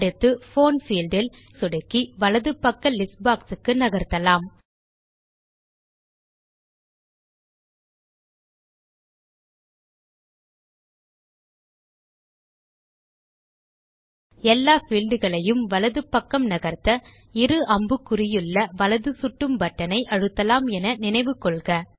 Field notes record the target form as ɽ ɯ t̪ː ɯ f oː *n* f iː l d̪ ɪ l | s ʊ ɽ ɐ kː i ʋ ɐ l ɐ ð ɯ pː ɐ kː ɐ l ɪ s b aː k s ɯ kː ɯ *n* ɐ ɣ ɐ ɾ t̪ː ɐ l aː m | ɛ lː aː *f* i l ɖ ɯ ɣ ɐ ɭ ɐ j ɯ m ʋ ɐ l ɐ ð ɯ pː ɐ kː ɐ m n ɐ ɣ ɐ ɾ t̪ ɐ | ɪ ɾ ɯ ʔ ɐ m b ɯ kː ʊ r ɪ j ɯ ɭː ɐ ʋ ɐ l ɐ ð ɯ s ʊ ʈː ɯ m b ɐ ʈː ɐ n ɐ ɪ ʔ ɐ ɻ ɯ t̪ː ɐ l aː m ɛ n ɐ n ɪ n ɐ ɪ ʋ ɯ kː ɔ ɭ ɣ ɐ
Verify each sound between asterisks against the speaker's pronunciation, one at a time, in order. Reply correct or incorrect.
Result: correct, correct, correct

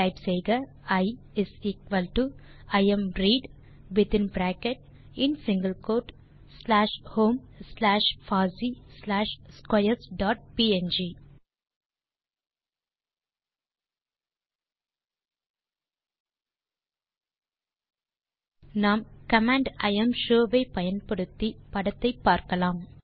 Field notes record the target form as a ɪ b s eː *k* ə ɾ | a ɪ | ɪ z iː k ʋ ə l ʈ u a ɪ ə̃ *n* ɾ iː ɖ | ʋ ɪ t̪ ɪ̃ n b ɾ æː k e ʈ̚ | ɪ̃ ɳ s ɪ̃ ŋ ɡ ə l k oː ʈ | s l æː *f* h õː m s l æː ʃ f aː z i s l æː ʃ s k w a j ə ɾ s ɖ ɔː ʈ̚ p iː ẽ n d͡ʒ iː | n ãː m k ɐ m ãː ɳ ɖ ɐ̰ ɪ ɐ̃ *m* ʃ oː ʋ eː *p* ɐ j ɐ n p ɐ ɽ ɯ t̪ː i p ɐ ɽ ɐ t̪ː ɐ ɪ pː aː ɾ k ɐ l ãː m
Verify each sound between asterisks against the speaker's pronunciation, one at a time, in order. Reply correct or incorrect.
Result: incorrect, incorrect, incorrect, correct, correct

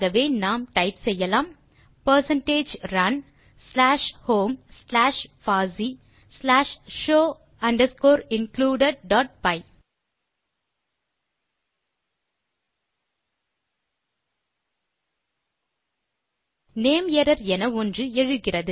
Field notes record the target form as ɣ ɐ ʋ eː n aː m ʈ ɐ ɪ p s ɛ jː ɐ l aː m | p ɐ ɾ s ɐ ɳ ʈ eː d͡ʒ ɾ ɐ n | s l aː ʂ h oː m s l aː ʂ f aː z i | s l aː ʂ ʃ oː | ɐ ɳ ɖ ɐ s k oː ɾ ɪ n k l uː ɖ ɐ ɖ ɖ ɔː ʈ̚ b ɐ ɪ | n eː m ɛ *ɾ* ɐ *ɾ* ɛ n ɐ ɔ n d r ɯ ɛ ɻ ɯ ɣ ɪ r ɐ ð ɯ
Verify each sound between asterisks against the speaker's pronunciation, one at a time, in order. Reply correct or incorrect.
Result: correct, correct

